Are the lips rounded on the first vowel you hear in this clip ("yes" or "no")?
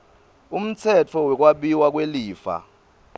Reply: yes